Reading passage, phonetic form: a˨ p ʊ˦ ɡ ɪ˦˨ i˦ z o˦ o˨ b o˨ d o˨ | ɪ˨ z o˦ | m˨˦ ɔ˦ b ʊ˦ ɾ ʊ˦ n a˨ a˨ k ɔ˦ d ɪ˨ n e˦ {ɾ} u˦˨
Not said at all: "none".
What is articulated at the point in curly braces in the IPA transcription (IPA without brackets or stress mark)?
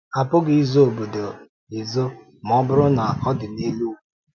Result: l